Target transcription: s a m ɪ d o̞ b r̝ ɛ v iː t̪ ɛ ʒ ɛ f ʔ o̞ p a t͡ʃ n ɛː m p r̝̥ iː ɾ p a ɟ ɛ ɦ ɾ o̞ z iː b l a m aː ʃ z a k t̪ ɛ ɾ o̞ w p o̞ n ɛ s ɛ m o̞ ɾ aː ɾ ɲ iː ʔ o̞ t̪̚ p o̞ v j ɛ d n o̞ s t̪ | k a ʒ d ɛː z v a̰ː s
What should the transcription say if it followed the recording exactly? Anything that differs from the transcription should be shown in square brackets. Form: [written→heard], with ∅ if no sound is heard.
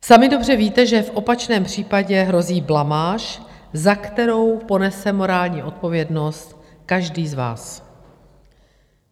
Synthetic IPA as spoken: s a m ɪ d o̞ b r̝ ɛ v iː t̪ ɛ ʒ ɛ f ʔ o̞ p a t͡ʃ n ɛː m p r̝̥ iː [ɾ→∅] p a ɟ ɛ ɦ ɾ o̞ z iː b l a m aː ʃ z a k t̪ ɛ ɾ o̞ w p o̞ n ɛ s ɛ m o̞ ɾ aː [ɾ→l] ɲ iː ʔ o̞ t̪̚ p o̞ v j ɛ d n o̞ s t̪ | k a ʒ d [ɛː→iː] z v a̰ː s